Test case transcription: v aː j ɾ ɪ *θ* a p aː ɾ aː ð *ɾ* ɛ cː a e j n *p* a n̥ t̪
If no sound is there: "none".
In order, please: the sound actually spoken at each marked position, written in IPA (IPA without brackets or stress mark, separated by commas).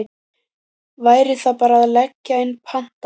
θ, l, pʰ